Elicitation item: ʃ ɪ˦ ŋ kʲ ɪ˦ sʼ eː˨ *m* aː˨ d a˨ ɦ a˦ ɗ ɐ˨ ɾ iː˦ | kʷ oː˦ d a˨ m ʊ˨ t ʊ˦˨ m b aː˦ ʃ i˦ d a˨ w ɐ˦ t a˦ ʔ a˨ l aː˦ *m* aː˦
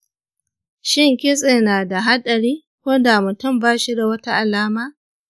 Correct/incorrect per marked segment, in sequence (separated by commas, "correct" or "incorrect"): incorrect, correct